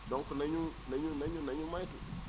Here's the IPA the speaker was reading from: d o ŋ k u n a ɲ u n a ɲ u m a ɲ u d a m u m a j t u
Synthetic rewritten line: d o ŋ k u n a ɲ u n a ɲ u n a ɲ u n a ɲ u m a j t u

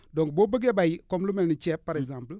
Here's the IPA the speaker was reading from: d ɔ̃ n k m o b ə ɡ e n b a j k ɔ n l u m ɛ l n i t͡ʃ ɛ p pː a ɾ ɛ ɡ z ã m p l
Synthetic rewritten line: d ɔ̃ ŋ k b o b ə ɡ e b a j k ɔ m l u m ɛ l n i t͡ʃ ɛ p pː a ɾ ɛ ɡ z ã m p l

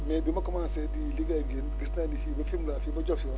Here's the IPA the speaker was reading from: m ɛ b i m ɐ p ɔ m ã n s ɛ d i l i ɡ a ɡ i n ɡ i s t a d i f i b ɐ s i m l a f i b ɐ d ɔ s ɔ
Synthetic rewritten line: m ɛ b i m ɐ k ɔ m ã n s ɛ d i l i ɡ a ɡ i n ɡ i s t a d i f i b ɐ f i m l a f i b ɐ d͡ʒ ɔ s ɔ

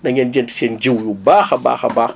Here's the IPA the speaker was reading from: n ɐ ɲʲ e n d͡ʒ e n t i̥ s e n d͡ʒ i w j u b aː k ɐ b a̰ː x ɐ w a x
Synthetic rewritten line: n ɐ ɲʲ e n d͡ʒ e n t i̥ s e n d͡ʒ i w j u b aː x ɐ b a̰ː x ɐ b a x

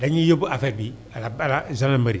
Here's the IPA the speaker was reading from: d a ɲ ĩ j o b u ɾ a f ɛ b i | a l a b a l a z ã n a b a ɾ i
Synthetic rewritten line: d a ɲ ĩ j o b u a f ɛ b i | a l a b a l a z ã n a m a ɾ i

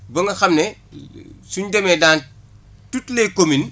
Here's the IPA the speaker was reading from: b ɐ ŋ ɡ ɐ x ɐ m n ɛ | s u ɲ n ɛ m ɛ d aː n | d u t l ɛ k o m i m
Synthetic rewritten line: b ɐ ŋ ɡ ɐ x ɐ m n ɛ | s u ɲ d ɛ m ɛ d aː n | t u t l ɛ k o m i n

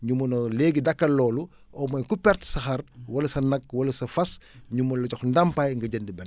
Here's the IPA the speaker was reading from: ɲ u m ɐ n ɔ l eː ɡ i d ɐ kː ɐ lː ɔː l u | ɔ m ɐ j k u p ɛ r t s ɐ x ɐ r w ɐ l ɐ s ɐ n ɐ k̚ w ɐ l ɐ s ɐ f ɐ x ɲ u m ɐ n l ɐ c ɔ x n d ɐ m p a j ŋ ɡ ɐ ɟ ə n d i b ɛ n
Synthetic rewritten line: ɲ u m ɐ n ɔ l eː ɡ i d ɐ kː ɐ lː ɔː l u | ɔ m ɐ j k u p ɛ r t s ɐ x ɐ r w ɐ l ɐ s ɐ n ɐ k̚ w ɐ l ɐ s ɐ f ɐ s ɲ u m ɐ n l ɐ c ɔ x n d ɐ m p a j ŋ ɡ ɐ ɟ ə n d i b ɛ n

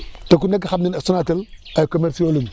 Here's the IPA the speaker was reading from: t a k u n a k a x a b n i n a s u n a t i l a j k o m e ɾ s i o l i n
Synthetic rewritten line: t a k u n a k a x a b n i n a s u n a t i l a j k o m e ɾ s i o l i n

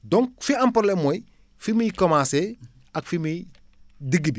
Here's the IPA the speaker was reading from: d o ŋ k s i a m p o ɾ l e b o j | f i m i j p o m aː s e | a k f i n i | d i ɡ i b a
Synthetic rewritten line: d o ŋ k f i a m p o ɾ l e m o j | f i m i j k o m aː s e | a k f i m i | d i ɡ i b i

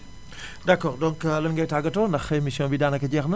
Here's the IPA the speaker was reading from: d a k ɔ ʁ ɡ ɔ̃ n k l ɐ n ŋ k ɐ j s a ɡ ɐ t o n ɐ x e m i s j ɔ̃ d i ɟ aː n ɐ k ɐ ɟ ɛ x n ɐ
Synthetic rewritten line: d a k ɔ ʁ d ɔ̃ ŋ k l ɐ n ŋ ɡ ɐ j t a ɡ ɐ t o n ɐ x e m i s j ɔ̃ b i d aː n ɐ k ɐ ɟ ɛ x n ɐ

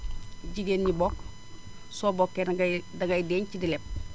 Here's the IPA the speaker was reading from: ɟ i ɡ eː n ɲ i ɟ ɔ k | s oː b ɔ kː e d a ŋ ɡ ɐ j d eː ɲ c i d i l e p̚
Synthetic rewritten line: ɟ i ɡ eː n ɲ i b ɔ k | s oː b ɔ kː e d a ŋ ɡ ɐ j d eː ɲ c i d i l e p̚

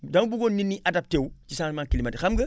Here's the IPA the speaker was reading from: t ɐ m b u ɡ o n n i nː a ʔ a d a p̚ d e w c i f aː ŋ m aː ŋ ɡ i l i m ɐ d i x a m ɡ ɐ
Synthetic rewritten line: d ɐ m b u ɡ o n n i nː i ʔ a d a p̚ t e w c i s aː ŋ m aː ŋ k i l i m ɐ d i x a m ɡ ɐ

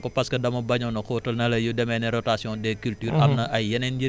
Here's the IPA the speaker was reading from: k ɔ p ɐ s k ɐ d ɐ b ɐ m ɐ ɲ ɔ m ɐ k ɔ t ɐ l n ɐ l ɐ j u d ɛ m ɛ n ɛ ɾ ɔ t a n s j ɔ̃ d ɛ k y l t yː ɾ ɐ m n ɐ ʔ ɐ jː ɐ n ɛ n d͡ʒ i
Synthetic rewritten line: k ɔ p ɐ s k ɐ d ɐ m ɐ b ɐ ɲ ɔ n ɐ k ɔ t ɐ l n ɐ l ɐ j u d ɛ m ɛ n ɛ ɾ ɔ t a s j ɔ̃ d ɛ k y l t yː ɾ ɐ m n ɐ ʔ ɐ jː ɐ n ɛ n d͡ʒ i

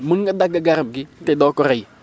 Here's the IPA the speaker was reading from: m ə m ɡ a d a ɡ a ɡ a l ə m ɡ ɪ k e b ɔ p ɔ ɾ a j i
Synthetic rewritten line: m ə ŋ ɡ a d a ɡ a ɡ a ɾ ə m ɡ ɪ t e d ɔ k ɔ ɾ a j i

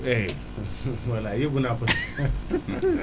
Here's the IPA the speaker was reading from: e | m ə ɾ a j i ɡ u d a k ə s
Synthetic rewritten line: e | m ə l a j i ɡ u n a p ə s

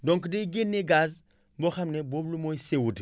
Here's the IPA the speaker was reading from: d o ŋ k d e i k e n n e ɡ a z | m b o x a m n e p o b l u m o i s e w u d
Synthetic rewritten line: d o ŋ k d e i ɡ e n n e ɡ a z | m b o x a m n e b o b l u m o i s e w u d

